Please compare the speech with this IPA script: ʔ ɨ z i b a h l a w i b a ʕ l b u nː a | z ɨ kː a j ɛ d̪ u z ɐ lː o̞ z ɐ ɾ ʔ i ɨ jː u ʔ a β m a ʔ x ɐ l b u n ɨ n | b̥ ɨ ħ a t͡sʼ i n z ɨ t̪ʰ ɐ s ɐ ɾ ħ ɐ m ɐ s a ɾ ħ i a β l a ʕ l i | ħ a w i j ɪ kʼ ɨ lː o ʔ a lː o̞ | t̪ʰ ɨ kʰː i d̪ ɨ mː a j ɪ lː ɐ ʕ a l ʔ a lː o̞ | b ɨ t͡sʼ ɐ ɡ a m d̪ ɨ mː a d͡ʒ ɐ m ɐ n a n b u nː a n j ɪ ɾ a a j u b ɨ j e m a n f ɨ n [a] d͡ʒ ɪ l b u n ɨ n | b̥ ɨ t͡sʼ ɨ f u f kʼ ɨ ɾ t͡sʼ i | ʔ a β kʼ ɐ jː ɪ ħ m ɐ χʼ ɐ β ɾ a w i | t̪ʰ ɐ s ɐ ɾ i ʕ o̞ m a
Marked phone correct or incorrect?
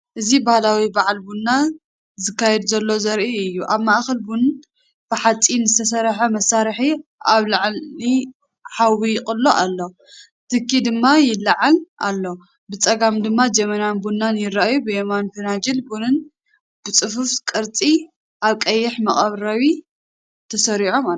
correct